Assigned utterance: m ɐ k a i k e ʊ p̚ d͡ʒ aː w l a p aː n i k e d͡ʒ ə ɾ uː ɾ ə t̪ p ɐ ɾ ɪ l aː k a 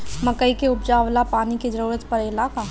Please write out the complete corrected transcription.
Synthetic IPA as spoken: m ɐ k ə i k e ʊ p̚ d͡ʒ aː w l a p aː n i k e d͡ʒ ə ɾ uː ɾ ə t̪ p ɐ ɾ ɪ l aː k a